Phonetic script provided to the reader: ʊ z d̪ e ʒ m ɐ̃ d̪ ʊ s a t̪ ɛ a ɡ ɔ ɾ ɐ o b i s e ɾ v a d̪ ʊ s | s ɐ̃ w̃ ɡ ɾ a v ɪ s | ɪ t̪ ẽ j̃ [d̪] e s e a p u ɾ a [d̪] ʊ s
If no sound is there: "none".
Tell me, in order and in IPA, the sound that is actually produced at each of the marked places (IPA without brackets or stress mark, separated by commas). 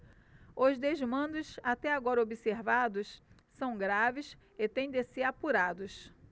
d̪, d̪